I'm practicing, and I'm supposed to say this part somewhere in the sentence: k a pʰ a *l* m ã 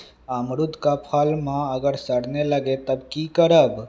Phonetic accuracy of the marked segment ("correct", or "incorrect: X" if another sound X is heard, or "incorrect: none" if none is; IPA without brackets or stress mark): correct